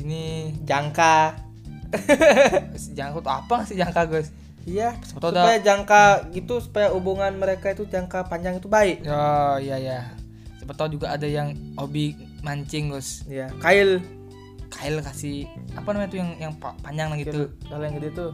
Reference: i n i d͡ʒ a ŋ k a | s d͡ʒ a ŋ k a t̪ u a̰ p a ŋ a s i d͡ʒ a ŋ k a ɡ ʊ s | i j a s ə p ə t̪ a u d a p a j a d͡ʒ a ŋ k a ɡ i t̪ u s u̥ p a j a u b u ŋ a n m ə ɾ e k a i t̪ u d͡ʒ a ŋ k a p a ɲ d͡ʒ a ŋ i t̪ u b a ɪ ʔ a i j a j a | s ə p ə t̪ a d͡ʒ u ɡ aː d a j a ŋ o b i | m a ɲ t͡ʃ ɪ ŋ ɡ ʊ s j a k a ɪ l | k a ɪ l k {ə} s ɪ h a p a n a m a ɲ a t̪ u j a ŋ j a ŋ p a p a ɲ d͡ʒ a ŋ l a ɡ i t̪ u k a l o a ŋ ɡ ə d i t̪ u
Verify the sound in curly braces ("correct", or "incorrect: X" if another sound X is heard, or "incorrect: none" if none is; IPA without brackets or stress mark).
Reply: incorrect: a